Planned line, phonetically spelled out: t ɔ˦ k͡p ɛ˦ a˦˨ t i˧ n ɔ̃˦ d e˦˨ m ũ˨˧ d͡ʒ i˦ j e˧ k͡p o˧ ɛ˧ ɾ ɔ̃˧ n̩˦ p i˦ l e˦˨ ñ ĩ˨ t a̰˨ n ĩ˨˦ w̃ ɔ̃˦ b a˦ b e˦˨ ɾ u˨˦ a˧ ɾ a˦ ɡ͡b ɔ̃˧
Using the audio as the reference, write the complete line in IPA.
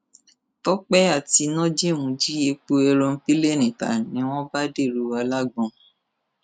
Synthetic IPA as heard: t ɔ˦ k͡p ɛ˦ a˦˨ t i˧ n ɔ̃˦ d͡ʒ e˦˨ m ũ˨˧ d͡ʒ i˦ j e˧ k͡p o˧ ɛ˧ ɾ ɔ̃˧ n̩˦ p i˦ l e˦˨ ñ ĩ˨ t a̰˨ n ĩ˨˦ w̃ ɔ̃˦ b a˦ d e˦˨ ɾ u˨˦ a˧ l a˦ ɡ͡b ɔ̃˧